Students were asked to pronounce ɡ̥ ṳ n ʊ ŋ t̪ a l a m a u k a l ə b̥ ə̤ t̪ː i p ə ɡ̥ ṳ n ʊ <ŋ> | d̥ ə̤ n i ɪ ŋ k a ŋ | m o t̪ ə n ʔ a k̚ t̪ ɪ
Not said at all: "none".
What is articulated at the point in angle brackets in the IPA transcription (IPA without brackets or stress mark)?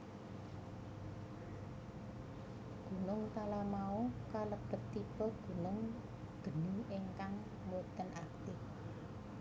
ŋ